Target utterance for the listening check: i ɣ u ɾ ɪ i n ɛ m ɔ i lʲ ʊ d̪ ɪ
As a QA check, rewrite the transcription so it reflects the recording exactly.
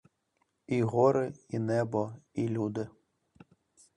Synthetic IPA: i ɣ ɔ ɾ ɪ i n ɛ b ɔ i lʲ u d̪ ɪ

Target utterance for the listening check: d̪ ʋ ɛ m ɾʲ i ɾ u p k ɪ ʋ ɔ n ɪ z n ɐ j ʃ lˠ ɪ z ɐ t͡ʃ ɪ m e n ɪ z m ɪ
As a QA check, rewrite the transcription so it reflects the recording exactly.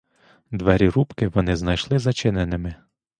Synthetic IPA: d̪ ʋ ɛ ɾʲ i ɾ u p k ɪ ʋ ɔ n ɪ z n ɐ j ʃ lˠ ɪ z ɐ t͡ʃ ɪ n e n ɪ m ɪ

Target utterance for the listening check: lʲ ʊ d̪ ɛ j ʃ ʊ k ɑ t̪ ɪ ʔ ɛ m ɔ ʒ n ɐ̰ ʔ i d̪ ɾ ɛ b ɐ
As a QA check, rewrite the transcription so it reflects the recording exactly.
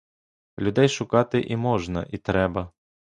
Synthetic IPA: lʲ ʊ d̪ ɛ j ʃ ʊ k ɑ t̪ ɪ ʔ i m ɔ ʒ n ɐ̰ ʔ i t̪ ɾ ɛ b ɐ

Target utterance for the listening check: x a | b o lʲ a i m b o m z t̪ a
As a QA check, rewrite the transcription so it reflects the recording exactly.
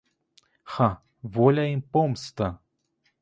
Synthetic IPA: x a | v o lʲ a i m p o m s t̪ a

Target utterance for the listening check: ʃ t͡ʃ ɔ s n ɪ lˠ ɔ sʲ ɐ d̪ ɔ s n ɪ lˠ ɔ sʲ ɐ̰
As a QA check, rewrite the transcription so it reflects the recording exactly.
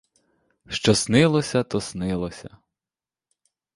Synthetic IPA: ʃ t͡ʃ ɔ s n ɪ lˠ ɔ sʲ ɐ t̪ ɔ s n ɪ lˠ ɔ sʲ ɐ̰

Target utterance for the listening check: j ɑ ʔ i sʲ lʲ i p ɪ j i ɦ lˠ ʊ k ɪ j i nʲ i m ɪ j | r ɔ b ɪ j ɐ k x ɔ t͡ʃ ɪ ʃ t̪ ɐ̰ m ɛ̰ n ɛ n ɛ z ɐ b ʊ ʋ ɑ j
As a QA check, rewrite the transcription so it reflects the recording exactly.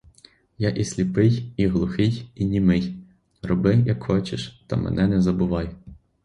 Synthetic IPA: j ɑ ʔ i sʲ lʲ i p ɪ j i ɦ lˠ ʊ x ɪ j i nʲ i m ɪ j | r ɔ b ɪ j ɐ k x ɔ t͡ʃ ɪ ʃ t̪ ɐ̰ m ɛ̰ n ɛ n ɛ z ɐ b ʊ ʋ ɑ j

